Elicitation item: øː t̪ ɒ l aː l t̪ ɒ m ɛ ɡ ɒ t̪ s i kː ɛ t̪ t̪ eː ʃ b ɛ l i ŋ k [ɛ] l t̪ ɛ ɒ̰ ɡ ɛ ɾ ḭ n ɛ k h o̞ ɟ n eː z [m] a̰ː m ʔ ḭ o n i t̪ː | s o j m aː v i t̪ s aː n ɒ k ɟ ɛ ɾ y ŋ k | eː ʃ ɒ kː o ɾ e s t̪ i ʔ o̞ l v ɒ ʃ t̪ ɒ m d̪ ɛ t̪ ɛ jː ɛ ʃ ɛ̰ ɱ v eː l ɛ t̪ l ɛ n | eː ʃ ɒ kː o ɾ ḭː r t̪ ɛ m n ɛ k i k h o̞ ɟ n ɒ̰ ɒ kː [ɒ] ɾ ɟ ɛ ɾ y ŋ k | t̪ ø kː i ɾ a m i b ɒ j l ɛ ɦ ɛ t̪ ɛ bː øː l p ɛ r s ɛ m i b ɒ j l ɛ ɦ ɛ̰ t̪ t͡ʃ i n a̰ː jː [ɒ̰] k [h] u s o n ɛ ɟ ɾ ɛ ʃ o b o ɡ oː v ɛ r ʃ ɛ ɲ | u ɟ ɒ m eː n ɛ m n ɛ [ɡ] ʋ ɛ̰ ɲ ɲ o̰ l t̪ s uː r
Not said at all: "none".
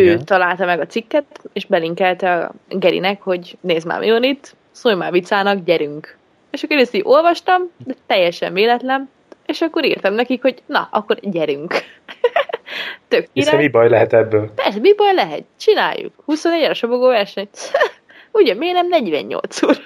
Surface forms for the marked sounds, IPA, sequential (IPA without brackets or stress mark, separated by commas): ɛ, m, o, ṵ, h, ɟ